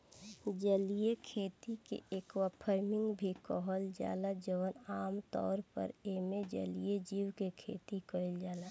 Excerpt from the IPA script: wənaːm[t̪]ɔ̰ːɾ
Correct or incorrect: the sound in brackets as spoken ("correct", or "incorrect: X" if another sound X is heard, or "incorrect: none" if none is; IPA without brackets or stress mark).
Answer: correct